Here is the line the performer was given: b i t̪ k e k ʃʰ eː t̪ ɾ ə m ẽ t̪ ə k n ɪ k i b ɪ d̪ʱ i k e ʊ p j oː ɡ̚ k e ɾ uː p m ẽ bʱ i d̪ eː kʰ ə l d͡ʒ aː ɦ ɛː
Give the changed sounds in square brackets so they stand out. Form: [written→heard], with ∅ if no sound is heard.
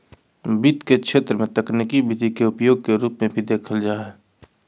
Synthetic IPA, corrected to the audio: b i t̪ k e k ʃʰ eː t̪ ɾ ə m ẽ t̪ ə k n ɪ k i b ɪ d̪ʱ i k e ʊ p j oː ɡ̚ k e ɾ uː p m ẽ bʱ i d̪ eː kʰ ə l d͡ʒ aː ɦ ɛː